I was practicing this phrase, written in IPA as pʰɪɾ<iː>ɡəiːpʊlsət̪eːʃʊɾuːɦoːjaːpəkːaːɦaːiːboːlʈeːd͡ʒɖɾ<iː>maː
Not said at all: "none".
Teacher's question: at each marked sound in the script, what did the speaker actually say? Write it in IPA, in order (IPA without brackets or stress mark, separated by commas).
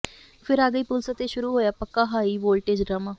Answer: aː, aː